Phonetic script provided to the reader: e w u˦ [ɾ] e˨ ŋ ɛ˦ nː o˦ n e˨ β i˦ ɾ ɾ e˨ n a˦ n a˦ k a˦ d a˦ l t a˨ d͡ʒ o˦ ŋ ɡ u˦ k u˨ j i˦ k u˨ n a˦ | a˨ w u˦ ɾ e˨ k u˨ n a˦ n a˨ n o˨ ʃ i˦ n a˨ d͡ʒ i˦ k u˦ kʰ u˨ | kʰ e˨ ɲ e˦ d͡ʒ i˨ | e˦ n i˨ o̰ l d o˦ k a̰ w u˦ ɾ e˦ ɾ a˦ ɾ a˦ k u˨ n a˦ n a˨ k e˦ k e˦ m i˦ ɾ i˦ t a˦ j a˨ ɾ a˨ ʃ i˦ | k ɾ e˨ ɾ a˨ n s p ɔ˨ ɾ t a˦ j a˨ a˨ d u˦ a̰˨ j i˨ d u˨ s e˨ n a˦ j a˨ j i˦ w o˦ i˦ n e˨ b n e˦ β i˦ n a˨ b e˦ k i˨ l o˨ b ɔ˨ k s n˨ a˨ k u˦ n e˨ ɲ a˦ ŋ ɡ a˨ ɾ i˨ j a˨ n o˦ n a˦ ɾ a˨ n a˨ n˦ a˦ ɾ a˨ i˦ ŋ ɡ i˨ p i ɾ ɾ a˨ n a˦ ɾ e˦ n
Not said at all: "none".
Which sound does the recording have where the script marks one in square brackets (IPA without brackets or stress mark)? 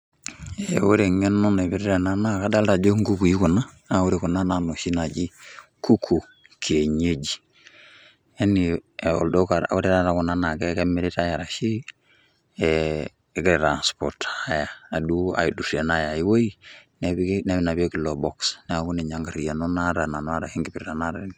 ɾ